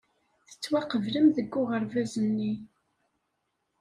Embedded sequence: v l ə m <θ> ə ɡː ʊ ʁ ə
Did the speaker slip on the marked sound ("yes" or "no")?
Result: yes